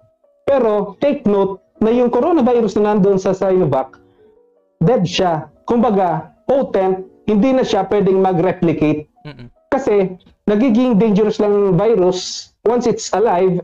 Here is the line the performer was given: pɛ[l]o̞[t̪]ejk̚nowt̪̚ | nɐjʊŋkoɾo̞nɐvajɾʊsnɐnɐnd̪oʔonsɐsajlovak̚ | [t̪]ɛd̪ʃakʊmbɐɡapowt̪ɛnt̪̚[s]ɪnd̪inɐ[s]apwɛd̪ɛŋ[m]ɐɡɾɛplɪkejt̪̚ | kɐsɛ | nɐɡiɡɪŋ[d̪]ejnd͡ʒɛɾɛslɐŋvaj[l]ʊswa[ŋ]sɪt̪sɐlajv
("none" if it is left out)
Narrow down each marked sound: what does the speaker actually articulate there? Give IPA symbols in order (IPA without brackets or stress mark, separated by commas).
ɾ, t̪, d̪, h, ʃ, m, d̪, ɾ, n